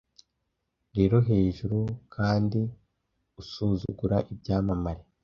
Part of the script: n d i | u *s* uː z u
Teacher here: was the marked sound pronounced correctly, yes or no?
yes